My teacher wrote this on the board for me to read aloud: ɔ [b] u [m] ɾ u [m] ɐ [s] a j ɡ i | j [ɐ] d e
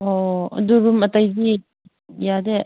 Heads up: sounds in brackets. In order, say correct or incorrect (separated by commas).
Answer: incorrect, incorrect, correct, incorrect, incorrect